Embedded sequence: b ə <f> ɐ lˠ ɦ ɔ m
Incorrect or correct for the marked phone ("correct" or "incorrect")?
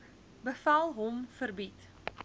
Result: correct